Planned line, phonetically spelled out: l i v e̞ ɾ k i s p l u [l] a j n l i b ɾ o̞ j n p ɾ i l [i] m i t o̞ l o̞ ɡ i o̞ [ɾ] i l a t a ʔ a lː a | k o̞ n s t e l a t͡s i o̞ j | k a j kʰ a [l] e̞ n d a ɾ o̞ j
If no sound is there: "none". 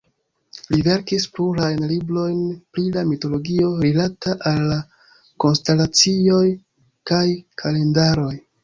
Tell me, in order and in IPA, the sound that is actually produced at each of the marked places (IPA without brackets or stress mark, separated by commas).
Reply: ɾ, a, ɾ, l